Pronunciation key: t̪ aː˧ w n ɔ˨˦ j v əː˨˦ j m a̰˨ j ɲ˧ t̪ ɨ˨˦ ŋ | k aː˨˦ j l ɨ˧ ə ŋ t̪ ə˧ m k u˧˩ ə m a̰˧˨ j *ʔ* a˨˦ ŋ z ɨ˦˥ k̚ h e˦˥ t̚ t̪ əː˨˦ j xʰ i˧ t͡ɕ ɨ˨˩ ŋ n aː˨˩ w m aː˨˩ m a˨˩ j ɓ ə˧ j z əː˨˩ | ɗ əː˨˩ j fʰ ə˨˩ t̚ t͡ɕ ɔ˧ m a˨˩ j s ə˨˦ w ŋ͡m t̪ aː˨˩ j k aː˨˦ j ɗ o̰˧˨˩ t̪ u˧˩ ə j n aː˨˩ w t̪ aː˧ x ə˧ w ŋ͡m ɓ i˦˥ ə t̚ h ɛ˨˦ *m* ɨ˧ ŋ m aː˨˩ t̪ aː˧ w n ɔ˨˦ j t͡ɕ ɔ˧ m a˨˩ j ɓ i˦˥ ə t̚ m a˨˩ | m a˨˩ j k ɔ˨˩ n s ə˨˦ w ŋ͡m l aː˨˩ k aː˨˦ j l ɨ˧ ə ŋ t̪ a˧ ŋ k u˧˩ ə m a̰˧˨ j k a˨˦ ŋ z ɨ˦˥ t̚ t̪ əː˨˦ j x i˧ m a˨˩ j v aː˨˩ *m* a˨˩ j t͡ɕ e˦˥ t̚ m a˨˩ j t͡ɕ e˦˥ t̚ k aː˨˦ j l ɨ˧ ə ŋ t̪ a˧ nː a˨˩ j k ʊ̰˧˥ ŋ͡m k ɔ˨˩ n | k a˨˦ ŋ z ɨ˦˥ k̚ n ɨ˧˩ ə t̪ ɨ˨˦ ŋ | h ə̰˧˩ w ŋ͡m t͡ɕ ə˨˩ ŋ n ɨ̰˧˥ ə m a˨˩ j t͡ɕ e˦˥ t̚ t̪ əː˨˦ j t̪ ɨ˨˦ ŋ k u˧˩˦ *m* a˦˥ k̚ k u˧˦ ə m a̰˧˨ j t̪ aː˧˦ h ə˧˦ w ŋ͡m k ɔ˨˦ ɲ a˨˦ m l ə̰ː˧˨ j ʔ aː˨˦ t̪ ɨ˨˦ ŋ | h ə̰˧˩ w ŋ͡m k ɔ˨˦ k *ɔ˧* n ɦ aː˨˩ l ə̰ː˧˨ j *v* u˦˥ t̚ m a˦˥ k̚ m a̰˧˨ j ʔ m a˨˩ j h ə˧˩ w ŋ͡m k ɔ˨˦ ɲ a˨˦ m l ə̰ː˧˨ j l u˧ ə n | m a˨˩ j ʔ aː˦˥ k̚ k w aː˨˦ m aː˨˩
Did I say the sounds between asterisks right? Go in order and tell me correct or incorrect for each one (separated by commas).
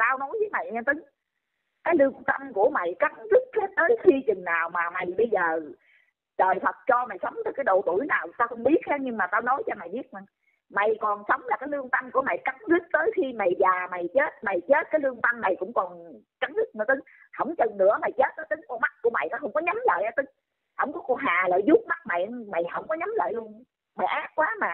incorrect, incorrect, correct, correct, incorrect, incorrect